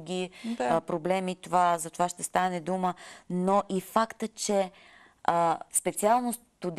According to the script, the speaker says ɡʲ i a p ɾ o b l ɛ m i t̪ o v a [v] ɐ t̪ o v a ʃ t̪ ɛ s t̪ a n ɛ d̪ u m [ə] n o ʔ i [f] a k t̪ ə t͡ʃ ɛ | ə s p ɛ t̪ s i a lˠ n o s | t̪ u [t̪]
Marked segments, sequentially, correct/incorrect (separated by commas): incorrect, correct, correct, incorrect